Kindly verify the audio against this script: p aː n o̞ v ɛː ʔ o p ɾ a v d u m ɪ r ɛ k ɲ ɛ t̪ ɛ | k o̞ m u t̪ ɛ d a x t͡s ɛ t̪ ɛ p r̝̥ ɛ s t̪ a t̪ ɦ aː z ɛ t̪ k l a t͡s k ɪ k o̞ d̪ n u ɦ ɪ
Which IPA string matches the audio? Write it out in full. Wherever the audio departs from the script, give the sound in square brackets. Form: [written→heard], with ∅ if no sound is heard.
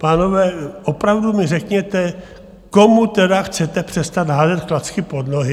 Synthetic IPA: p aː n o̞ v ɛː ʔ o p ɾ a v d u m ɪ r ɛ k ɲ ɛ t̪ ɛ | k o̞ m u t̪ ɛ d a x t͡s ɛ t̪ ɛ p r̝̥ ɛ s t̪ a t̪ ɦ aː z ɛ t̪ k l a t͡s k ɪ [k→p] o̞ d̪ n [u→o] ɦ ɪ